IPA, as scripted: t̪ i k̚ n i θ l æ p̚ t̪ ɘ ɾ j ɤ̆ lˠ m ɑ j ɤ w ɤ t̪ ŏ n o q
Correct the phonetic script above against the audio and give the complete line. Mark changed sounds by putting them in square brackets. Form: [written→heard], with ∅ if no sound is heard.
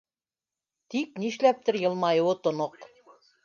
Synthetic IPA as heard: t̪ i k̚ n i [θ→ʃ] l æ p̚ t̪ ɘ ɾ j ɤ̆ lˠ m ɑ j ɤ w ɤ t̪ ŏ n o q

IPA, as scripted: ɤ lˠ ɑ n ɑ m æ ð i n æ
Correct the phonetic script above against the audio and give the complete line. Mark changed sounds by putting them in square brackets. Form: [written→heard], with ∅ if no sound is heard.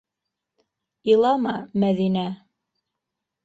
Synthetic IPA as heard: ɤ lˠ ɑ [n→m] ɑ m æ ð i n æ

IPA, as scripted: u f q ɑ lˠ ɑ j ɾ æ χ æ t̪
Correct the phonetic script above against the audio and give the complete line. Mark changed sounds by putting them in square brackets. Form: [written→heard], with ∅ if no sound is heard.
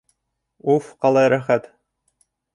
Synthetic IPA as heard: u f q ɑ lˠ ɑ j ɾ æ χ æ t̪

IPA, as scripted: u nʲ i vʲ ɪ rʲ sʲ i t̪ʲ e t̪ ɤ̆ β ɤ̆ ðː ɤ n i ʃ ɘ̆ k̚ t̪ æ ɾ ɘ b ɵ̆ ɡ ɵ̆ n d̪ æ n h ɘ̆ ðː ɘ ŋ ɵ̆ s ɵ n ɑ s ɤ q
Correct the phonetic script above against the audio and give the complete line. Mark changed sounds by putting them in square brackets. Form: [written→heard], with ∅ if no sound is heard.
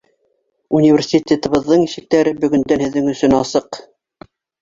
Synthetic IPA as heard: u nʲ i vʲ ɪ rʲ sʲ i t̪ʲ e t̪ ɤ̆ β ɤ̆ ðː ɤ [n→ɴ] i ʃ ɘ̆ k̚ t̪ æ ɾ ɘ b ɵ̆ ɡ ɵ̆ n d̪ æ n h ɘ̆ ðː ɘ ŋ ɵ̆ s ɵ n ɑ s ɤ q

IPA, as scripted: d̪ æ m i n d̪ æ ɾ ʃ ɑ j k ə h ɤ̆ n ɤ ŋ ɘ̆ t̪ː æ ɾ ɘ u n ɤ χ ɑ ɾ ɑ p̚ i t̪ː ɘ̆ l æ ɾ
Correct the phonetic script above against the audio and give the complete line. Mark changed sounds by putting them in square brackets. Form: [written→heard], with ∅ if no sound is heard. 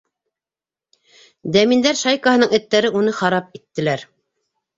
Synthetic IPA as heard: d̪ æ m i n d̪ æ ɾ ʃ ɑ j k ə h ɤ̆ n ɤ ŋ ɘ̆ t̪ː æ ɾ ɘ u n ɤ χ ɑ ɾ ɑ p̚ i t̪ː ɘ̆ l æ ɾ

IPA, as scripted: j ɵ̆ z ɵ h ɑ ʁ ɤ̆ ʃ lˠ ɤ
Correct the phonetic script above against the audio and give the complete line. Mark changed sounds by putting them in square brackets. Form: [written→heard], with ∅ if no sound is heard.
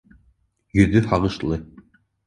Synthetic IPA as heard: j ɵ̆ [z→ð] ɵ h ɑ ʁ ɤ̆ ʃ lˠ ɤ

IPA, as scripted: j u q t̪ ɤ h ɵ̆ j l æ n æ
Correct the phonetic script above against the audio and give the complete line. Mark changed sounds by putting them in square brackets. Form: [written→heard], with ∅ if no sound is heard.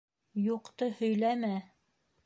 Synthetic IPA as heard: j u q t̪ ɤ h ɵ̆ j l æ [n→m] æ

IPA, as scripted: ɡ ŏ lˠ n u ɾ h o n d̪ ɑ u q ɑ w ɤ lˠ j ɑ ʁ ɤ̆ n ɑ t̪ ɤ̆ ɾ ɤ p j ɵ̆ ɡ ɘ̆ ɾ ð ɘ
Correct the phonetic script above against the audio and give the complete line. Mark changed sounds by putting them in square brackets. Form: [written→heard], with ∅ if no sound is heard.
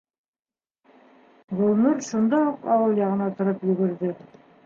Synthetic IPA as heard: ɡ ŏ lˠ n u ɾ [h→ʃ] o n d̪ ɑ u q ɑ w ɤ lˠ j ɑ ʁ ɤ̆ n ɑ t̪ [ɤ̆→ŏ] ɾ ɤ p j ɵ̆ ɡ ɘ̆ ɾ ð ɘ

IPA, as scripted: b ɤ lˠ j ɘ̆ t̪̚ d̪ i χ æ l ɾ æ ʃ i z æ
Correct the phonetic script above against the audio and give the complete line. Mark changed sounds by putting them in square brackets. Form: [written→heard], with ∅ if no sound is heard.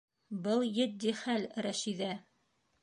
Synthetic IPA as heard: b ɤ lˠ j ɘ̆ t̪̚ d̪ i χ æ l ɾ æ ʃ i [z→ð] æ

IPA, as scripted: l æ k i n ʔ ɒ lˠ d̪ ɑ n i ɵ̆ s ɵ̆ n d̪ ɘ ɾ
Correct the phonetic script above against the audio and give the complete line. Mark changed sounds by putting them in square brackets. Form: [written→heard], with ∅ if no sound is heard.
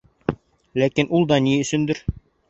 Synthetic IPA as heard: l æ k i n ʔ [ɒ→u] lˠ d̪ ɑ n i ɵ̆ s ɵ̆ n d̪ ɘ ɾ

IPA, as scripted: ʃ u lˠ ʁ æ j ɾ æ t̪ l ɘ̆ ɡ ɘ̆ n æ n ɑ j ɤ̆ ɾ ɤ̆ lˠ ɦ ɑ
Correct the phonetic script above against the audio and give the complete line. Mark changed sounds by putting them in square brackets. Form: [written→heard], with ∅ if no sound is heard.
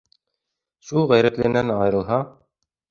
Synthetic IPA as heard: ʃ u lˠ ʁ æ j ɾ æ t̪ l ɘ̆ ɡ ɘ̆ n æ n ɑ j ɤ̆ ɾ ɤ̆ lˠ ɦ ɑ

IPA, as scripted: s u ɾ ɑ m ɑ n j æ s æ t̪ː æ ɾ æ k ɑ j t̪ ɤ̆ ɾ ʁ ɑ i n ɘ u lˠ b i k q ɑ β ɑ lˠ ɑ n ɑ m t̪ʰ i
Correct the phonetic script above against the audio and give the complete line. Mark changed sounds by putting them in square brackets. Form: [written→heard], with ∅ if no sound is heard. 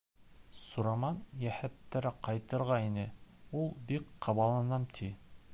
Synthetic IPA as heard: s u ɾ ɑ m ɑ n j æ [s→h] æ t̪ː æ ɾ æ [k→q] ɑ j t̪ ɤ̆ ɾ ʁ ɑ i n ɘ u lˠ b i k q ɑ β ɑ lˠ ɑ n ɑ m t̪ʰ i

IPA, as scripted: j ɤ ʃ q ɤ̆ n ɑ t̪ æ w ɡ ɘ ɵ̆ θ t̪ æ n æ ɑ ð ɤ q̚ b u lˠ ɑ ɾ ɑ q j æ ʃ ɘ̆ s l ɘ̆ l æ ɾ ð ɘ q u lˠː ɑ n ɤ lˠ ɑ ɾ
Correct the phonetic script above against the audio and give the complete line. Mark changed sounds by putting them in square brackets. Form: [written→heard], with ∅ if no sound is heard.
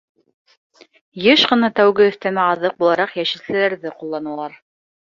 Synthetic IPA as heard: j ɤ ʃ q ɤ̆ n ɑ t̪ æ w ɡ ɘ ɵ̆ θ t̪ æ [n→m] æ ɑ ð ɤ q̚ b u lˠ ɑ ɾ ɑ q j æ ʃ ɘ̆ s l ɘ̆ l æ ɾ ð ɘ q u lˠː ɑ n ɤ lˠ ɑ ɾ

